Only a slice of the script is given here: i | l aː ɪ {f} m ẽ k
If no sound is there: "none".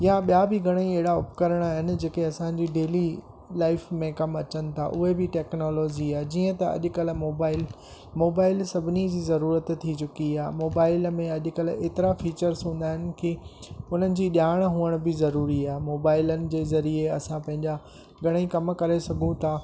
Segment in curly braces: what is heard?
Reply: f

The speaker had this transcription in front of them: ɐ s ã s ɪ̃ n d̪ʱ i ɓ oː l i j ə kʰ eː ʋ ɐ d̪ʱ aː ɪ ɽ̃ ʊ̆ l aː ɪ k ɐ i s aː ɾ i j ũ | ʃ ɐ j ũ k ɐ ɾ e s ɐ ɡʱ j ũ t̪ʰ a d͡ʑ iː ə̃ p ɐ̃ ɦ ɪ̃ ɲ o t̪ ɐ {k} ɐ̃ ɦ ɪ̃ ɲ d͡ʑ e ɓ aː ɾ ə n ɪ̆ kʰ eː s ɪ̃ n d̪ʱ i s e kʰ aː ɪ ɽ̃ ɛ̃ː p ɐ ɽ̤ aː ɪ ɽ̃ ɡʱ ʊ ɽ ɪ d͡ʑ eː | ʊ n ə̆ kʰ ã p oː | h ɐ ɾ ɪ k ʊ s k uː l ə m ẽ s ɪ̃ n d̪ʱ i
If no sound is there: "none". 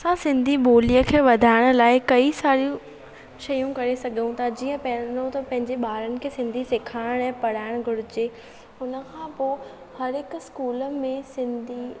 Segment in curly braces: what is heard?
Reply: p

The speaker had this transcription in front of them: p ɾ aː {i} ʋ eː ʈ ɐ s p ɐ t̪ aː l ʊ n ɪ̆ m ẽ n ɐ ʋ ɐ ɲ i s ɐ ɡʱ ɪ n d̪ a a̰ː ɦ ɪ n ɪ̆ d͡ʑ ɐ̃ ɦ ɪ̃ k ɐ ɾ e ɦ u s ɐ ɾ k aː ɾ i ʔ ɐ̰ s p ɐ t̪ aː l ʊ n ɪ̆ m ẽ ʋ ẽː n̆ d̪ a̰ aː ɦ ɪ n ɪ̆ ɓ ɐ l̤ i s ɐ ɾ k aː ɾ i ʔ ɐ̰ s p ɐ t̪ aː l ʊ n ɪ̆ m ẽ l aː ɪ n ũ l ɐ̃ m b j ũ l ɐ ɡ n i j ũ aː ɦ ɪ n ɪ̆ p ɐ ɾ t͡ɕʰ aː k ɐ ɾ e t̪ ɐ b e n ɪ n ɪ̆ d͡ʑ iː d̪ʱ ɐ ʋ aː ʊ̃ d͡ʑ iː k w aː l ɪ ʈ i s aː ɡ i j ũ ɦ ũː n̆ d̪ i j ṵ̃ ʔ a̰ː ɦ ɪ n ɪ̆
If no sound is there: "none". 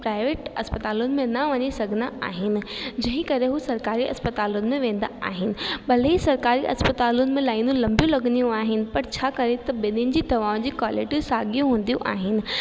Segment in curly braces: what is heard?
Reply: ɪ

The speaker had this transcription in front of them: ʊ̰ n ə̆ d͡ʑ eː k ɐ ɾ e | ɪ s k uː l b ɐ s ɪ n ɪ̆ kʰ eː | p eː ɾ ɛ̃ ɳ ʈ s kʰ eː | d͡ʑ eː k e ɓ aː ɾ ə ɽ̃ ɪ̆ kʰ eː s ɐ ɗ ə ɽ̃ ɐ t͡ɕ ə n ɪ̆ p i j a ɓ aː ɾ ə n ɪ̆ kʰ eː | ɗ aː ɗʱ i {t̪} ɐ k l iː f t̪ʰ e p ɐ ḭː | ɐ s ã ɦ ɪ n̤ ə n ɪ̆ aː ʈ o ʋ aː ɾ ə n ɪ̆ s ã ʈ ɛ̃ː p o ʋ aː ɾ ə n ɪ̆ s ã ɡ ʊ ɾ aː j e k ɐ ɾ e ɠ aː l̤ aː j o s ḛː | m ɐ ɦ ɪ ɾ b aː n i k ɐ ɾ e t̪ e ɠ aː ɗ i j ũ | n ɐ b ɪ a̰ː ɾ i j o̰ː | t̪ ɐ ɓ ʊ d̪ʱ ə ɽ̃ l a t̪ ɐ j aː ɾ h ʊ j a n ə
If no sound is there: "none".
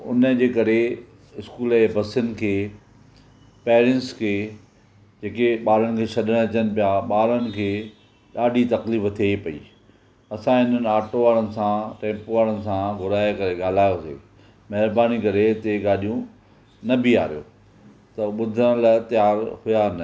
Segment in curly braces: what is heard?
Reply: t̪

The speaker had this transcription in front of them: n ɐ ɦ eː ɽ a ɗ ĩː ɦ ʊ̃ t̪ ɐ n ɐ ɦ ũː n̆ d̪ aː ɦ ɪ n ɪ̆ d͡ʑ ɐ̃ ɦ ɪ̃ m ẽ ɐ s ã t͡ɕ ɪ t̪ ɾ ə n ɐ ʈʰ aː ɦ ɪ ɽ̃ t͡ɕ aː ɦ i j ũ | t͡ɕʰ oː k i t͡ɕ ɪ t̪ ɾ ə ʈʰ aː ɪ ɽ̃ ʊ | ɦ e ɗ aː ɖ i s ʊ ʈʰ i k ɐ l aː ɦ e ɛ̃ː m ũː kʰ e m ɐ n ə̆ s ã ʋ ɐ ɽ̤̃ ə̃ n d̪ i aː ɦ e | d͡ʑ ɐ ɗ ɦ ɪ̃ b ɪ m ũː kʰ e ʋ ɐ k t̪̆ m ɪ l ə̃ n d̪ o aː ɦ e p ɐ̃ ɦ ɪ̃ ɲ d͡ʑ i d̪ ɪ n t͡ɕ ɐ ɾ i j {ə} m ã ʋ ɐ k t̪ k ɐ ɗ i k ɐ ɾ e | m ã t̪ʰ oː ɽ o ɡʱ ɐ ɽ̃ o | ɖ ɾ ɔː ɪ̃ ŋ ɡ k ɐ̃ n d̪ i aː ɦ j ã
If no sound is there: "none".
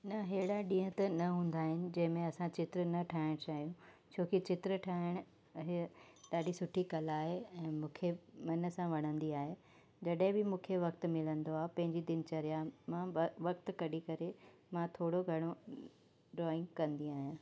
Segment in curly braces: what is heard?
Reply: a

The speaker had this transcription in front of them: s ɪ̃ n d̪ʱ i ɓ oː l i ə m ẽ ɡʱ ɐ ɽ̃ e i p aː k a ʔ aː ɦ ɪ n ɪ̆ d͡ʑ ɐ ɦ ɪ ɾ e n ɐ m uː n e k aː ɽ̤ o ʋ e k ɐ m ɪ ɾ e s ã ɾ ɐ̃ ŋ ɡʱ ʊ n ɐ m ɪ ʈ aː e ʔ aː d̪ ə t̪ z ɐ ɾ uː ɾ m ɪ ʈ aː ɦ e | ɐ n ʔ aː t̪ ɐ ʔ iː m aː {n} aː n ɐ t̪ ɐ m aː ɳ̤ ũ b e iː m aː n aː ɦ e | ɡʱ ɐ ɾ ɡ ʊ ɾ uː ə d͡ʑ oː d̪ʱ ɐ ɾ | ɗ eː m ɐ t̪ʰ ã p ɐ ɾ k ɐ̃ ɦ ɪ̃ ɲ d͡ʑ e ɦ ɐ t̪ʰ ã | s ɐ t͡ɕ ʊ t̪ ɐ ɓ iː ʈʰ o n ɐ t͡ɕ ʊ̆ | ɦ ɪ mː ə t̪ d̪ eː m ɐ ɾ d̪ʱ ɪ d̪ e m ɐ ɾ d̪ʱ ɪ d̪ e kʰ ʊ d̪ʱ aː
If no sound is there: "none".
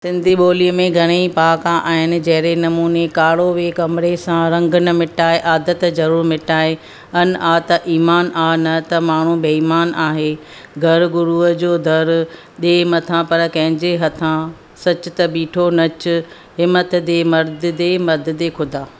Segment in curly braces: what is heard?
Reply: n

